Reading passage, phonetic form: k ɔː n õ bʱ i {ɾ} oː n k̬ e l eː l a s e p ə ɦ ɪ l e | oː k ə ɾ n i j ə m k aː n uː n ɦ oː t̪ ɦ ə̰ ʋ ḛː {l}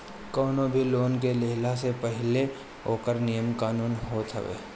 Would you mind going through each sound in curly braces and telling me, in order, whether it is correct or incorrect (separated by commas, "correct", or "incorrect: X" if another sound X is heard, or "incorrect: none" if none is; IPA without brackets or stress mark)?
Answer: incorrect: l, incorrect: none